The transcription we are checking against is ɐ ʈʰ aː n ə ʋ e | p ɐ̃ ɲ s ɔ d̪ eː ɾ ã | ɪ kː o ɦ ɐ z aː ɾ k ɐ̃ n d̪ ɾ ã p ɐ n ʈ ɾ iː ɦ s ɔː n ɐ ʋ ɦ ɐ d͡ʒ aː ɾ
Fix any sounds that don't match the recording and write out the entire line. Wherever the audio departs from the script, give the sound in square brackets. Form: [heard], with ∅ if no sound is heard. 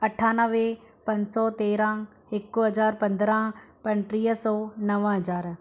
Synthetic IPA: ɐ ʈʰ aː n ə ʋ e | p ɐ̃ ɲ s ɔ [t̪] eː ɾ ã | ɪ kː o ɦ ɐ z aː ɾ [p] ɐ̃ n d̪ ɾ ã p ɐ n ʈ ɾ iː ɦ s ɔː n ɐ ʋ ɦ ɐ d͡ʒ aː ɾ